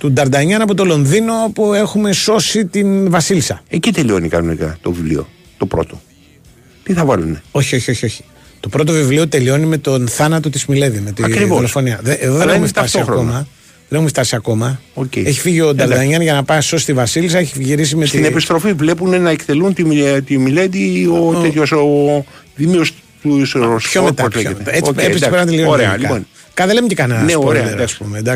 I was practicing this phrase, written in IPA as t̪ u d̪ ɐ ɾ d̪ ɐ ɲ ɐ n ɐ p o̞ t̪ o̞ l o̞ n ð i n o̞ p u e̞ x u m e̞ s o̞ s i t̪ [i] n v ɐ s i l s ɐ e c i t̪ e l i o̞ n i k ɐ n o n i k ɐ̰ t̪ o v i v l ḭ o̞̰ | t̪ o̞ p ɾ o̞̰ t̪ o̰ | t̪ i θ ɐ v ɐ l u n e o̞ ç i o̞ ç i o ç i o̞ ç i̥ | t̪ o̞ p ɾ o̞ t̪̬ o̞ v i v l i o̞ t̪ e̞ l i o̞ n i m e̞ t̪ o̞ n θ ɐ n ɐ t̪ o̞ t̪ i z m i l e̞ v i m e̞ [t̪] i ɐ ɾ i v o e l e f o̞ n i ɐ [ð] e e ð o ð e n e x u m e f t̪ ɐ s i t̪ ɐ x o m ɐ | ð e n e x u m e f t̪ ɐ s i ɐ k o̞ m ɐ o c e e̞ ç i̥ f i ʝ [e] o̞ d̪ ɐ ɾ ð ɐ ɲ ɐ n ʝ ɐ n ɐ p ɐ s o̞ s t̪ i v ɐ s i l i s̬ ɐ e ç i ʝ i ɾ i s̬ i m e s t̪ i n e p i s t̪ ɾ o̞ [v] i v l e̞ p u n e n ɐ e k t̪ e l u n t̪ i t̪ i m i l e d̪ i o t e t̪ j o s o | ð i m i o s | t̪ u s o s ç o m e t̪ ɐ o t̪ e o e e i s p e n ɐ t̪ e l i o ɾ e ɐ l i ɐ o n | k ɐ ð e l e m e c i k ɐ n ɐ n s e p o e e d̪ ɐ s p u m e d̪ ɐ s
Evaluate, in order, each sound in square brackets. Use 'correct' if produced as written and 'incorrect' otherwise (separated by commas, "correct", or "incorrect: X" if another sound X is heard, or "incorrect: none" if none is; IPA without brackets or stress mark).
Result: correct, correct, correct, incorrect: i, incorrect: f